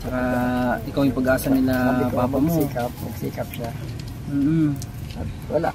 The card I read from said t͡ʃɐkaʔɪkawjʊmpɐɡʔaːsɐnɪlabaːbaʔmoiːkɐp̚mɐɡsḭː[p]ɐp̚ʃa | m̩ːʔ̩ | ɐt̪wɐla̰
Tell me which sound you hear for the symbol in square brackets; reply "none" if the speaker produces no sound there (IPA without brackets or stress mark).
k